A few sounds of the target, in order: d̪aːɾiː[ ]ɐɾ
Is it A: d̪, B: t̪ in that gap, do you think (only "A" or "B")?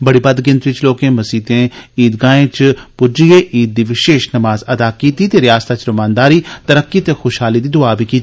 B